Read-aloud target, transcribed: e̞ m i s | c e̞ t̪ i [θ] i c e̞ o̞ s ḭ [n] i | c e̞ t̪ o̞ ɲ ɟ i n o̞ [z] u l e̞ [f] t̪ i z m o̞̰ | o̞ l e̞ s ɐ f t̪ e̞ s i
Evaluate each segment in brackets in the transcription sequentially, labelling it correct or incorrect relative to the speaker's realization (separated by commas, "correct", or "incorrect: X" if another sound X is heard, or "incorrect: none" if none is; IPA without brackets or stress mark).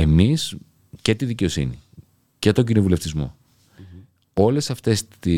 incorrect: ð, correct, incorrect: v, correct